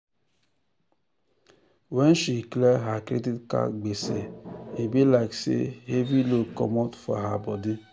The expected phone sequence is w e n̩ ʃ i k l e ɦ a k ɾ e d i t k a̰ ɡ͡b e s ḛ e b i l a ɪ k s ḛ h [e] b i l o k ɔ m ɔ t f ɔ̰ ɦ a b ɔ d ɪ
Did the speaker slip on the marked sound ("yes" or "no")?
no